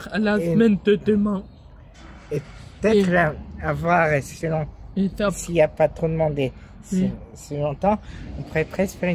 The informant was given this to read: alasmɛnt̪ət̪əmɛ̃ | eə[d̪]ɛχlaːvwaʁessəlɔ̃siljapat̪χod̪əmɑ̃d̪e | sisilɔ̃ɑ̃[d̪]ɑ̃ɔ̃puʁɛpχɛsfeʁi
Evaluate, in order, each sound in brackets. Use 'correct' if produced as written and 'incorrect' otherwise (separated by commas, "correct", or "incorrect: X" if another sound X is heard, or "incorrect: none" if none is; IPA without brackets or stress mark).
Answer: incorrect: t̪, incorrect: t̪